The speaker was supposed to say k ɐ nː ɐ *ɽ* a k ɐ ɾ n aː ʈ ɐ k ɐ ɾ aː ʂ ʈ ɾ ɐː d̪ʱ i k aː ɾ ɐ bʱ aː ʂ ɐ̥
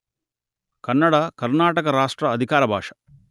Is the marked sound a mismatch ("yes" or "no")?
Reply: no